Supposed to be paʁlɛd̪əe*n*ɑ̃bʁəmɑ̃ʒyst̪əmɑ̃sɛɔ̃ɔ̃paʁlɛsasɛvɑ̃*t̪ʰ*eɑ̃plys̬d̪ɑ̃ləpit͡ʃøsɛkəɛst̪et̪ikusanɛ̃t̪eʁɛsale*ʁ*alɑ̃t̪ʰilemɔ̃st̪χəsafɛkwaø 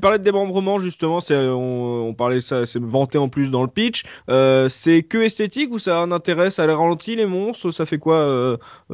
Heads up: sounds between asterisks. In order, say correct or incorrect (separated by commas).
incorrect, incorrect, correct